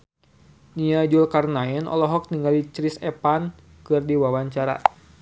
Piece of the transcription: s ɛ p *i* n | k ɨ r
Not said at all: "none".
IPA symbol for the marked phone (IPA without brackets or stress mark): a